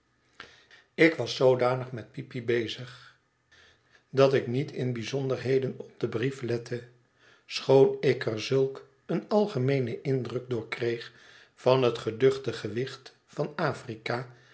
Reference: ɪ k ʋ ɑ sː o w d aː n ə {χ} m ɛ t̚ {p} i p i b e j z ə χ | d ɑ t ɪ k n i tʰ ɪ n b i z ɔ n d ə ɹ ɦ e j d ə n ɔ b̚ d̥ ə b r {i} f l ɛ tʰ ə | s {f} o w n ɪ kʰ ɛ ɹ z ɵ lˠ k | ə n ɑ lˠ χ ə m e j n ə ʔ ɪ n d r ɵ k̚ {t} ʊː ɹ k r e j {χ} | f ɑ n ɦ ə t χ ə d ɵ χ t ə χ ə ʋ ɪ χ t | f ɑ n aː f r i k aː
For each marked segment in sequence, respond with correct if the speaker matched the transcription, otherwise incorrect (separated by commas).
correct, correct, correct, incorrect, incorrect, correct